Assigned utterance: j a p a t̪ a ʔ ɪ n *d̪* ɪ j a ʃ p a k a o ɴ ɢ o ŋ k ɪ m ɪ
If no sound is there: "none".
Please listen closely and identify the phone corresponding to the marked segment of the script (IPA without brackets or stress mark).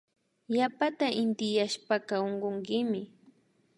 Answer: t̪